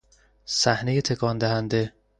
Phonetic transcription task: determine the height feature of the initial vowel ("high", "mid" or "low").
low